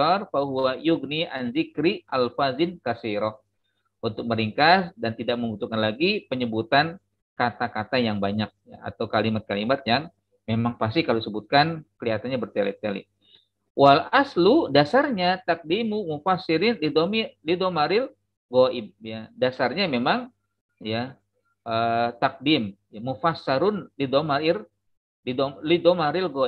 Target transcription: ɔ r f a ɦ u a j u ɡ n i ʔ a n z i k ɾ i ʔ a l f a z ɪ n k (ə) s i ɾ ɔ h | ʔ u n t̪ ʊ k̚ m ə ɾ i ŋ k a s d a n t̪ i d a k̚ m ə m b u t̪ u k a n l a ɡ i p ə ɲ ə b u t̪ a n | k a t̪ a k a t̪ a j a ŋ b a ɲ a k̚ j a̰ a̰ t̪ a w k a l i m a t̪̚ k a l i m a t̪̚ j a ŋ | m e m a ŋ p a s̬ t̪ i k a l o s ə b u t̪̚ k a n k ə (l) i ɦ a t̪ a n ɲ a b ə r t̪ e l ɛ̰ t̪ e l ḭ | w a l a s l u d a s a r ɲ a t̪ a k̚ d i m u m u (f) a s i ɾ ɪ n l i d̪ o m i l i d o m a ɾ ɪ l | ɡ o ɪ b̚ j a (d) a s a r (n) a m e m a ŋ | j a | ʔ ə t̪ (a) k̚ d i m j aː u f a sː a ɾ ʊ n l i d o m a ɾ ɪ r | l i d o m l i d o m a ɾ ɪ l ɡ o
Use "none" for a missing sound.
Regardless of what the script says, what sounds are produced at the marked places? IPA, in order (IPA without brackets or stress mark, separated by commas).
a, l, f, d, ɲ, a